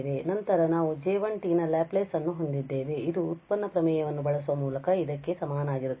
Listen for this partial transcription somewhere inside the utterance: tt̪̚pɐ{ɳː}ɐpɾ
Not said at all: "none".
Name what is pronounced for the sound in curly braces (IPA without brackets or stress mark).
nː